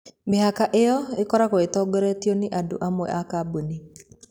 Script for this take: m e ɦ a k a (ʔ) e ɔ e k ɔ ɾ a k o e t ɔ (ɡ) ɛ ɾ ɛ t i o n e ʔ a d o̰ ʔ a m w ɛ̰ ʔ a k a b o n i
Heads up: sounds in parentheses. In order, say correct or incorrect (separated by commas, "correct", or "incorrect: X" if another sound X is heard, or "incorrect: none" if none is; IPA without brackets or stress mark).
correct, correct